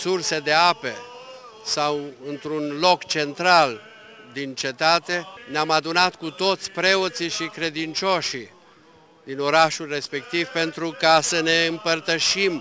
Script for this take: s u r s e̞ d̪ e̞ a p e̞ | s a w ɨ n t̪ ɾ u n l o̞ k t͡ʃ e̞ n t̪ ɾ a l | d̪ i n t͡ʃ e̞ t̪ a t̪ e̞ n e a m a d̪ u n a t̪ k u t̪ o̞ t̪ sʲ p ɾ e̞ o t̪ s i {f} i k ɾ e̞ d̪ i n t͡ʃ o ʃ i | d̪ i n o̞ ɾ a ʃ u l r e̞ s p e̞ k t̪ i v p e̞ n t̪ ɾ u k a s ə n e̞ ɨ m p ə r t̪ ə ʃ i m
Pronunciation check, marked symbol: incorrect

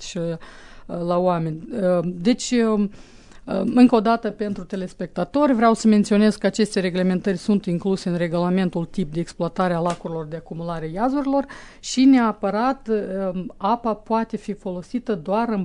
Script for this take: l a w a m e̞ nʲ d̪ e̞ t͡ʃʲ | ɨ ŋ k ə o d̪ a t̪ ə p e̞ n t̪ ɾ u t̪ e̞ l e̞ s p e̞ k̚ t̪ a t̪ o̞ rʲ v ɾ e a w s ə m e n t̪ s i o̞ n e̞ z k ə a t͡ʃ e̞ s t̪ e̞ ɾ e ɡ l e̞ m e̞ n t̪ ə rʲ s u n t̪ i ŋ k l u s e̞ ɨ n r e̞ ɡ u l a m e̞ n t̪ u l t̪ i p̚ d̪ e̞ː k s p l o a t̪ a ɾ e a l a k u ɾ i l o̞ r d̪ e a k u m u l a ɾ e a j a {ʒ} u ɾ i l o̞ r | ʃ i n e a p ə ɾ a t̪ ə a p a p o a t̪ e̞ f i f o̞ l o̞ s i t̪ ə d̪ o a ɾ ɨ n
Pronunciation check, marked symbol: incorrect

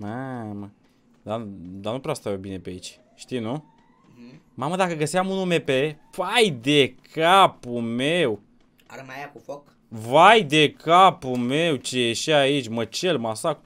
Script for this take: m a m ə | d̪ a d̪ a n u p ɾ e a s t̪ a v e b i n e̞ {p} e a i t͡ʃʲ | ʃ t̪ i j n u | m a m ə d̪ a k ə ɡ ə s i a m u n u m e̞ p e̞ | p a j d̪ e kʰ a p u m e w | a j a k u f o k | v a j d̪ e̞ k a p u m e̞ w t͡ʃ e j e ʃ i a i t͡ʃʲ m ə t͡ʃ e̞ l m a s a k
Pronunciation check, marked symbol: correct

